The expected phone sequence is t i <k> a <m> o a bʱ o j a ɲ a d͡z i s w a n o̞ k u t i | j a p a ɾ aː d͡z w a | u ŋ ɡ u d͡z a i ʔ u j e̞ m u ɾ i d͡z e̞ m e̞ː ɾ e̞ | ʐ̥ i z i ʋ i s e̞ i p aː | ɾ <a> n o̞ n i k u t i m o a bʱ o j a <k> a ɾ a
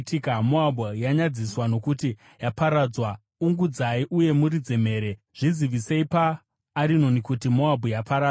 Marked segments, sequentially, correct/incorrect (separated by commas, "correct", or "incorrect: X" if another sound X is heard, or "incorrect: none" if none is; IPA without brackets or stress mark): correct, correct, incorrect: i, incorrect: p